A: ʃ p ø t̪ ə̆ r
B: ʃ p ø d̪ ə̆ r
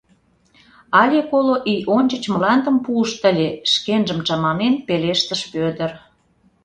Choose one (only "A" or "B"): B